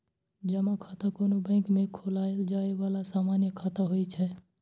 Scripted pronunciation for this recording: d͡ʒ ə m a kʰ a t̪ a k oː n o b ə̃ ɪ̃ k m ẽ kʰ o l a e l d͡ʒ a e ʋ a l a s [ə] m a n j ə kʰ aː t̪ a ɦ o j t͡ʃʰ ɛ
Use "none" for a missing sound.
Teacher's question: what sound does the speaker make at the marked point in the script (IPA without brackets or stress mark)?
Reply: a